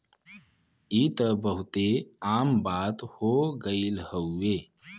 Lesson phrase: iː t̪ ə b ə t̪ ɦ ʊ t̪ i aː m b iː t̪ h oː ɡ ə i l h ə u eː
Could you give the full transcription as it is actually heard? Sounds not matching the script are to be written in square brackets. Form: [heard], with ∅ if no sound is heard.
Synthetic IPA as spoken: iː t̪ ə b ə [∅] ɦ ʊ t̪ [e] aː m b [aː] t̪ h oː ɡ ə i l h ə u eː